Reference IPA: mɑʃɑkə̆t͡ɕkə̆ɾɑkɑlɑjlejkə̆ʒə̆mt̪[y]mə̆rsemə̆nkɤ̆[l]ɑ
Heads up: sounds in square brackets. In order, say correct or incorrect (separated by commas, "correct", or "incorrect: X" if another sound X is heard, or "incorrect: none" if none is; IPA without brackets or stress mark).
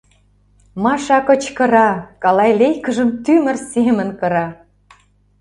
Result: correct, incorrect: ɾ